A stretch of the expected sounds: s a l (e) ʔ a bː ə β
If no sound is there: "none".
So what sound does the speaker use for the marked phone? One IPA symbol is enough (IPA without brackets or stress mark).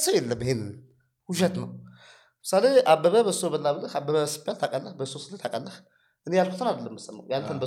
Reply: e